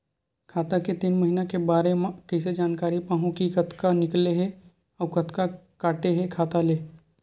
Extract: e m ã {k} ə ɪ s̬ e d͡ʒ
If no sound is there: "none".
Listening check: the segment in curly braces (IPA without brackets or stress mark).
k